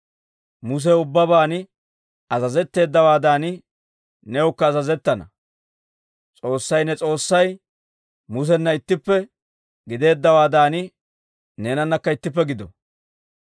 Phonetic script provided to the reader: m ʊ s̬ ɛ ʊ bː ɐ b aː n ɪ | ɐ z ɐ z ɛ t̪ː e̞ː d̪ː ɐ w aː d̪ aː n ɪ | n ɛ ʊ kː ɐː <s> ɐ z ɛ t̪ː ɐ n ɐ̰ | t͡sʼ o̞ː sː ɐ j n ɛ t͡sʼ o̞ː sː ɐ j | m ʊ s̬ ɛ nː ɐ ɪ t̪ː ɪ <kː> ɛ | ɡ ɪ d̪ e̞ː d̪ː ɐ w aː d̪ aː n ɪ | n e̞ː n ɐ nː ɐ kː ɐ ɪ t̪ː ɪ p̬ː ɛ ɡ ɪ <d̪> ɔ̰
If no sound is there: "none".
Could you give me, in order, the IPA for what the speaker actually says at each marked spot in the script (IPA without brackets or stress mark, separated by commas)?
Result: z, pː, d̪